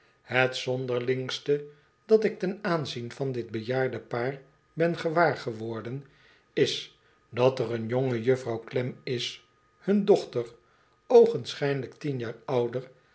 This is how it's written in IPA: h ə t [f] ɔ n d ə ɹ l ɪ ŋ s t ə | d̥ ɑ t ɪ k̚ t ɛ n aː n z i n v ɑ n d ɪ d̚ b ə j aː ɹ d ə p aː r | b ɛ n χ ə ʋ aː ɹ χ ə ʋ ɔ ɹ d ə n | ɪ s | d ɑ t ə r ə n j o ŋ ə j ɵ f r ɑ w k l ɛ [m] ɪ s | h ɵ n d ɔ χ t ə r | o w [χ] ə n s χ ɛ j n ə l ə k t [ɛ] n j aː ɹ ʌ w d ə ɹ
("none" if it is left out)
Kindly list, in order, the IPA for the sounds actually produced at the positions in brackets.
s, m, χ, i

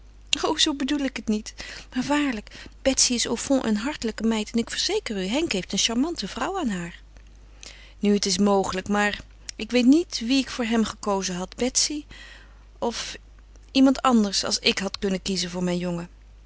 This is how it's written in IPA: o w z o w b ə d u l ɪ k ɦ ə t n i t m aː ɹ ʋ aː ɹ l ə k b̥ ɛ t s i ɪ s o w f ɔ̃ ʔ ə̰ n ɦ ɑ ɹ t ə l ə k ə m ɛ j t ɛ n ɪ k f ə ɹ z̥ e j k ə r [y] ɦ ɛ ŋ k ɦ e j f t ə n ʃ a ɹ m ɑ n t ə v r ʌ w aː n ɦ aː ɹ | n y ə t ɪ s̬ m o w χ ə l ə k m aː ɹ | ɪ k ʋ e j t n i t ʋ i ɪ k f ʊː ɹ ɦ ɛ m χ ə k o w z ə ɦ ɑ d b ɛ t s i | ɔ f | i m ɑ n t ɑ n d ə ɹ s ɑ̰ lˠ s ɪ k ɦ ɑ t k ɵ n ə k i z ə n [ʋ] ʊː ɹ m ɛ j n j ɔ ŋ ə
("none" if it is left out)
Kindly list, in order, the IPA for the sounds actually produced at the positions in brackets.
y, v

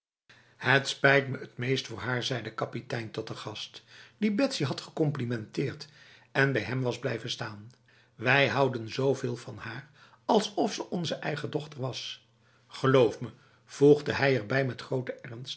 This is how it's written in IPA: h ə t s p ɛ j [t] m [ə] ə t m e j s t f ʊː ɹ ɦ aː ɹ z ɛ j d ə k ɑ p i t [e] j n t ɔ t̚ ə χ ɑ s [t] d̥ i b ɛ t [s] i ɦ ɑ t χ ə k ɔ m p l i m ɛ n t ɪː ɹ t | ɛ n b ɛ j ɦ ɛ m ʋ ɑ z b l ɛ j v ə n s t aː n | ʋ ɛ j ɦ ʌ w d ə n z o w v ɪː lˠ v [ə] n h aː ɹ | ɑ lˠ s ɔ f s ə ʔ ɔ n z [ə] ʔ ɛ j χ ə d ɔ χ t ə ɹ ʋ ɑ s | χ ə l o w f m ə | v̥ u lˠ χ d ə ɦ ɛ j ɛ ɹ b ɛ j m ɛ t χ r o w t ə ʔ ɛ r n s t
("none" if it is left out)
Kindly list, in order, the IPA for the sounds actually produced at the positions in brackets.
t, ə, ɛ, t, s, ɑ, ə

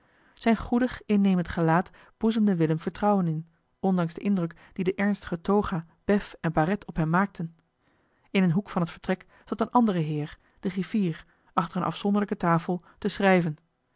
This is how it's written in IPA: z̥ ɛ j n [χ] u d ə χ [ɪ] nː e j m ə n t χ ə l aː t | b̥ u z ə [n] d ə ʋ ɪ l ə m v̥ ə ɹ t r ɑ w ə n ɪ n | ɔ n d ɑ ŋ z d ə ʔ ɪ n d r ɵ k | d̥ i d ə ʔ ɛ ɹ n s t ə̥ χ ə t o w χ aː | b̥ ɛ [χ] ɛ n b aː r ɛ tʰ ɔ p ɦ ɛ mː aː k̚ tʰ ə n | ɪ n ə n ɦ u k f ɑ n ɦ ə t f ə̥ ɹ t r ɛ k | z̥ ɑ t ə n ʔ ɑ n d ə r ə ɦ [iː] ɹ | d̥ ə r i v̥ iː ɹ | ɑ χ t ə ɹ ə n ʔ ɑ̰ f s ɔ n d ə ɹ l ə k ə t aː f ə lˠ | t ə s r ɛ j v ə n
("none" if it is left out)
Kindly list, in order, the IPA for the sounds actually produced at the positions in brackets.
χ, ɪ, m, f, ɪː

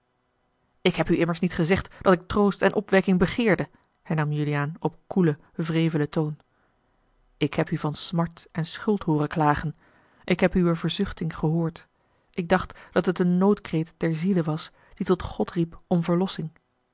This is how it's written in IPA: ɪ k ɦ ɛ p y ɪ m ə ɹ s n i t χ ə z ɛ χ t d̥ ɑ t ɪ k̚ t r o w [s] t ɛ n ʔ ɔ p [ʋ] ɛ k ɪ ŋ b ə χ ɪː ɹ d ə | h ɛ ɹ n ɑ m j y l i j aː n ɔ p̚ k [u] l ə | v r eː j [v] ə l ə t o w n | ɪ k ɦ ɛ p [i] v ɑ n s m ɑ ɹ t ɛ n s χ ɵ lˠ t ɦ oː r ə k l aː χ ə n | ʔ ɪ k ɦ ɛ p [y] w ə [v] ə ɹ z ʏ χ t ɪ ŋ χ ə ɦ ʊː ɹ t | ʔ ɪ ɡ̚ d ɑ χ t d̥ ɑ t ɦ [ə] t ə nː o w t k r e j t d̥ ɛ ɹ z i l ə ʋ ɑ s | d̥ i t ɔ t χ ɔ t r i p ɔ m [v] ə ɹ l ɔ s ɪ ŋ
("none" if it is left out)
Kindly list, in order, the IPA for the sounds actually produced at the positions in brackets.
s, ʋ, u, v, y, y, v, ə, v

